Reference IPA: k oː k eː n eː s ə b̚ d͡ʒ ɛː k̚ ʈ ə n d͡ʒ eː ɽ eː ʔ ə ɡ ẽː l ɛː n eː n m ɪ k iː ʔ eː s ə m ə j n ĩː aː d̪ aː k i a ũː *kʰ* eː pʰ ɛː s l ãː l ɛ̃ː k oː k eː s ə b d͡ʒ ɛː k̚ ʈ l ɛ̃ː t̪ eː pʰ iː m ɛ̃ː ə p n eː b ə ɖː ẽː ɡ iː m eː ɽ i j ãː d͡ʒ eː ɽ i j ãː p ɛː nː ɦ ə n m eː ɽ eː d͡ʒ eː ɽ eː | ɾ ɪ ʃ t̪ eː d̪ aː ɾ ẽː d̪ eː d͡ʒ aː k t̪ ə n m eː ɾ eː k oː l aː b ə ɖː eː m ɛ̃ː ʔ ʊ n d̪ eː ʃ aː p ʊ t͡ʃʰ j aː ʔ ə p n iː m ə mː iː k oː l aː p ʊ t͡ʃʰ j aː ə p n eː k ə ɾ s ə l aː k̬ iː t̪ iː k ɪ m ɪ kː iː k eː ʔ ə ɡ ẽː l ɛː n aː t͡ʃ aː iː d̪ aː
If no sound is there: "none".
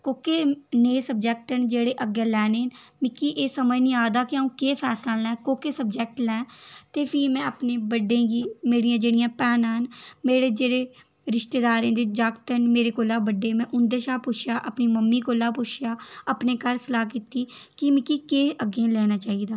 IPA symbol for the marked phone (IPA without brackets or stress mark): k